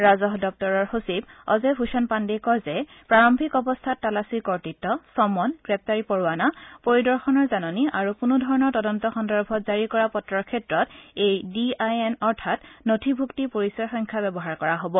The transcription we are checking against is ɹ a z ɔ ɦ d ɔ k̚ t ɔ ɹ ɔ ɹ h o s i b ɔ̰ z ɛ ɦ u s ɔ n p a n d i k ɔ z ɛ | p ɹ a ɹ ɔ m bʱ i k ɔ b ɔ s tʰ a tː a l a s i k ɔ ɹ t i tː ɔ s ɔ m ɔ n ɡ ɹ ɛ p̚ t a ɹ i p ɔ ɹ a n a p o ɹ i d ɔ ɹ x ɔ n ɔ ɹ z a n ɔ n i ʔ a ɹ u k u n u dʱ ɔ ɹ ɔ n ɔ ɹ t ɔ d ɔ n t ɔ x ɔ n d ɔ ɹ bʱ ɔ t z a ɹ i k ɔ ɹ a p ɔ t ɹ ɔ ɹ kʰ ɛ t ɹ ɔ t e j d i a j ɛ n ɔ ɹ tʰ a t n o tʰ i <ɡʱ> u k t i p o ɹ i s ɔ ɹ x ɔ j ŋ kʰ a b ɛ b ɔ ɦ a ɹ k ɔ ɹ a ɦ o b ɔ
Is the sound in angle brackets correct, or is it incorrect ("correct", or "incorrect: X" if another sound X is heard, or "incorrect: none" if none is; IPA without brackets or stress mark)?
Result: incorrect: bʱ